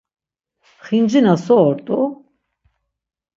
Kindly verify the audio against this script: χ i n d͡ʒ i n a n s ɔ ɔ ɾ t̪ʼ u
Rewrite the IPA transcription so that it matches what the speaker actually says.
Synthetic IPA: χ i n d͡ʒ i n a s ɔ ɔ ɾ t̪ʼ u

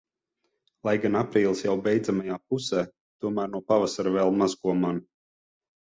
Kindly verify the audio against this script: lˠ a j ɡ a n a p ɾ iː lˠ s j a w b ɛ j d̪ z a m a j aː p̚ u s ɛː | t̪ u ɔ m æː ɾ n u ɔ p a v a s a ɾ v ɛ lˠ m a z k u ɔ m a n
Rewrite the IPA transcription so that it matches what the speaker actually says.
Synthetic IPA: lˠ a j ɡ a n a p ɾ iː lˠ s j a w b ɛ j d̪ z a m a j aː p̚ u s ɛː | t̪ u ɔ m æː ɾ n u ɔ p a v a s a ɾ v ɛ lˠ m a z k u ɔ m a n

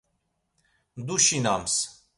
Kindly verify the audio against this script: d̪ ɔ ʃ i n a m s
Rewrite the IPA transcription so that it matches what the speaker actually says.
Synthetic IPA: d̪ u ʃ i n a m s

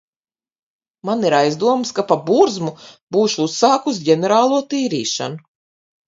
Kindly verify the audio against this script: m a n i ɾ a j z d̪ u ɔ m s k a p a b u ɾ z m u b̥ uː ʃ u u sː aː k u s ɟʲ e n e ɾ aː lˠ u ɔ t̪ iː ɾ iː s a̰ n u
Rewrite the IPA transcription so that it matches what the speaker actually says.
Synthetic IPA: m a n i ɾ a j z d̪ u ɔ m s k a p a b u ɾ z m u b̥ uː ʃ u u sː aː k u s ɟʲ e n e ɾ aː lˠ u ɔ t̪ iː ɾ iː ʃ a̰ n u

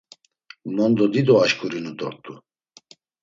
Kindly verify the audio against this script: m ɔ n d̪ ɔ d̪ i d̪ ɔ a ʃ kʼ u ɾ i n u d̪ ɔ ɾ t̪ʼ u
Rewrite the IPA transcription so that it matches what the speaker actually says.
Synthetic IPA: m ɔ n d̪ ɔ d̪ i d̪ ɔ a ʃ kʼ u ɾ i n u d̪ ɔ ɾ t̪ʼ u

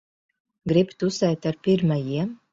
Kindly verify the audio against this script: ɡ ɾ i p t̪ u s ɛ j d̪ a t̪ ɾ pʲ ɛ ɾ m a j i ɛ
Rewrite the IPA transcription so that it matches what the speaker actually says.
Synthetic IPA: ɡ ɾ i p t̪ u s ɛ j t̪ a ɾ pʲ i ɾ m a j i ɛ

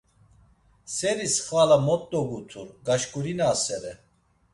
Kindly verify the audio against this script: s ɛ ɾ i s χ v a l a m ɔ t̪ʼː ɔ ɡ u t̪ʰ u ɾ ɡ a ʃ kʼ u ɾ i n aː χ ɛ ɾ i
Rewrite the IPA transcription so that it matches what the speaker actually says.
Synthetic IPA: s ɛ ɾ i s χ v a l a m ɔ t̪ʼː ɔ ɡ u t̪ʰ u ɾ ɡ a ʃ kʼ u ɾ i n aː s ɛ ɾ ɛ

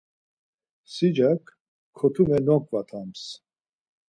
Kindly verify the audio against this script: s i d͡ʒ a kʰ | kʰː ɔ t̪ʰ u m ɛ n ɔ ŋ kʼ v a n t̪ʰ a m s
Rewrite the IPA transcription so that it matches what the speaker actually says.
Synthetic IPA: s i d͡ʒ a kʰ | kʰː ɔ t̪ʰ u m ɛ n ɔ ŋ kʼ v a t̪ʰ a m s

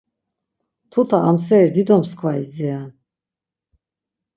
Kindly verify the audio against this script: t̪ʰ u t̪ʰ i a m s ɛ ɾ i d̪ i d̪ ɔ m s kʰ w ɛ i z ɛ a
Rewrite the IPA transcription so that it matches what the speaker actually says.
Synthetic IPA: t̪ʰ u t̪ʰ a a m s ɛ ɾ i d̪ i d̪ ɔ m s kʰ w a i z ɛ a

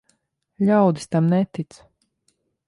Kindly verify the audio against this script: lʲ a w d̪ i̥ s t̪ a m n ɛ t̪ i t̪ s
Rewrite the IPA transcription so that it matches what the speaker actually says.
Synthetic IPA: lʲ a w d̪ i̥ s t̪ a m n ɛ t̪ i t̪ s

